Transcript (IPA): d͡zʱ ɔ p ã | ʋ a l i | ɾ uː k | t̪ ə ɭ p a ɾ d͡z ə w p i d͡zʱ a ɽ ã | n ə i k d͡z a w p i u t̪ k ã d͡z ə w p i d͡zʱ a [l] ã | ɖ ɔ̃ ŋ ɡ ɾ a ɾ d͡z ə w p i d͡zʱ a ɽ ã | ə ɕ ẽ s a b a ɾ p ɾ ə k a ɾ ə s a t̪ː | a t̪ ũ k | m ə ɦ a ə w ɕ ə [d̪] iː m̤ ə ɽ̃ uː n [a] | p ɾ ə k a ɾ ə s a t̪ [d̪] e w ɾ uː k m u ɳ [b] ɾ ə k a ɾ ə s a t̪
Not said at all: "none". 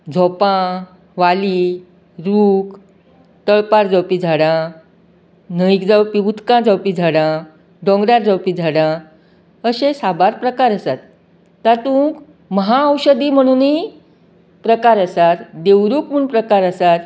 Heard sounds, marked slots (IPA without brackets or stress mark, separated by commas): ɽ, d̪, i, d̪, p